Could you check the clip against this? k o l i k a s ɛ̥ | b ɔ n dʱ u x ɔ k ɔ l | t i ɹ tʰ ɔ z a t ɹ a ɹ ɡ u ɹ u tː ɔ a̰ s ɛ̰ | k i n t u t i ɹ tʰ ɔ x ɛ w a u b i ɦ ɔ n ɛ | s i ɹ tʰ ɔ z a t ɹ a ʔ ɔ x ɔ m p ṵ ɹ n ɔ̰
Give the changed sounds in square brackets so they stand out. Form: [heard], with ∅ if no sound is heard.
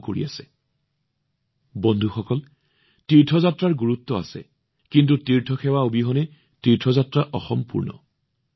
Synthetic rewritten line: k o [ɹ] i [∅] a s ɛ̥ | b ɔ n dʱ u x ɔ k ɔ l | t i ɹ tʰ ɔ z a t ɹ a ɹ ɡ u ɹ u tː ɔ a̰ s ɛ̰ | k i n t u t i ɹ tʰ ɔ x ɛ w a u b i ɦ ɔ n ɛ | [t] i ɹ tʰ ɔ z a t ɹ a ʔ ɔ x ɔ m p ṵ ɹ n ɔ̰